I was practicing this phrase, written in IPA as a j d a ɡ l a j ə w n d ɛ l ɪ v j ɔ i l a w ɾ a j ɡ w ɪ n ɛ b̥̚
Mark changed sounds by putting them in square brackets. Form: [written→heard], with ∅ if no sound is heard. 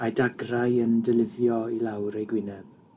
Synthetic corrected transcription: a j d a ɡ [l→r] a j ə [w→∅] n d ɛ l ɪ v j ɔ i l a w ɾ [a→e] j ɡ w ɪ n ɛ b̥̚